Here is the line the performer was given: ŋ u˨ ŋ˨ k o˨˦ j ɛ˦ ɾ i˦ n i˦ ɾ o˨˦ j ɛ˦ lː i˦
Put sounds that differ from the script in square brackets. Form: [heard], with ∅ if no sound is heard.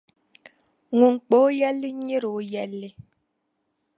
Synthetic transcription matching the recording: ŋ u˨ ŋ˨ [k͡p] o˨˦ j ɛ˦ [l] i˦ [ɲ] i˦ ɾ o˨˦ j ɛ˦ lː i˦